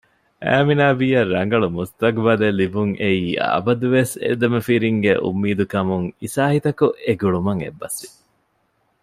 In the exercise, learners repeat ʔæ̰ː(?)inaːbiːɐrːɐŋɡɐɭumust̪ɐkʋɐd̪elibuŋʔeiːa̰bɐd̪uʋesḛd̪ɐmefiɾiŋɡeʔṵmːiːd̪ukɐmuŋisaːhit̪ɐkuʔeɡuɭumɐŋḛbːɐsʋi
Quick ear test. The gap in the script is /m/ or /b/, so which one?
m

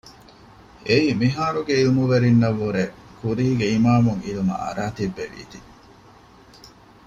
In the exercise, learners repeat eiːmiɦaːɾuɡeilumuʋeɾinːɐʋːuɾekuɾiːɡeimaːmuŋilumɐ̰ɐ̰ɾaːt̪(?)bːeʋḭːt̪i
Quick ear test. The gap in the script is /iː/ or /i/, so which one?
i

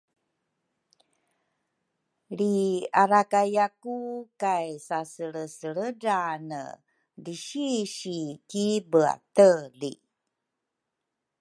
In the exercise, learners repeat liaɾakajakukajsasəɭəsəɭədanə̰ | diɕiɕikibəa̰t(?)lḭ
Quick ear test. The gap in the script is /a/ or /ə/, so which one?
ə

